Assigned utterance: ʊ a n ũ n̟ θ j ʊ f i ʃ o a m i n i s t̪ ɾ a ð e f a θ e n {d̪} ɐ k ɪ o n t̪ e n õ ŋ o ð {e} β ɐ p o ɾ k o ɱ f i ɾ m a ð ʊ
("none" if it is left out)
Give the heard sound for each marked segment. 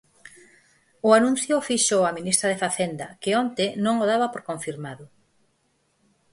d̪, a

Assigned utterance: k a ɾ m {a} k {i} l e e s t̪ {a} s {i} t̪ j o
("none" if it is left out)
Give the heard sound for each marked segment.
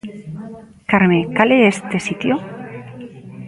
e, a, e, i

